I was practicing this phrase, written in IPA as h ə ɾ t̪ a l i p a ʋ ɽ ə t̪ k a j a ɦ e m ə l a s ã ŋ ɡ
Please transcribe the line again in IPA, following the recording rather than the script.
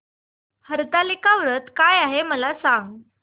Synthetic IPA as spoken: h ə ɾ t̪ a l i k a ʋ ɾ ə t̪ k a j a ɦ e m ə l a s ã ŋ ɡ